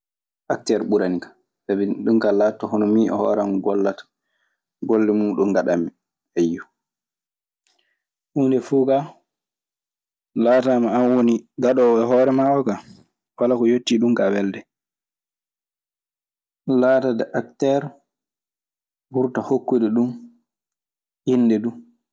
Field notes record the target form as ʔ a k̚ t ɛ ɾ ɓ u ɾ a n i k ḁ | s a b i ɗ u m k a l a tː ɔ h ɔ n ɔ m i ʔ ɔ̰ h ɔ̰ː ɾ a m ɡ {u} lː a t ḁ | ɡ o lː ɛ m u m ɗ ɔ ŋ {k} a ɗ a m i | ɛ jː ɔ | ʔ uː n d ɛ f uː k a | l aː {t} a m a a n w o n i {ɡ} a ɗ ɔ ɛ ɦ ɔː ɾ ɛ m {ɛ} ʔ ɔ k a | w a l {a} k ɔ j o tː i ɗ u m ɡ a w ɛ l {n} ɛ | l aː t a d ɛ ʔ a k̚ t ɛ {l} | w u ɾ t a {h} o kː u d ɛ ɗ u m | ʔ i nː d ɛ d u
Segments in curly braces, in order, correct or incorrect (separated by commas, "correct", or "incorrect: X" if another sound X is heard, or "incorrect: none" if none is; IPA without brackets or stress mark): incorrect: ɔ, incorrect: ɡ, correct, correct, incorrect: a, correct, incorrect: d, incorrect: ɾ, correct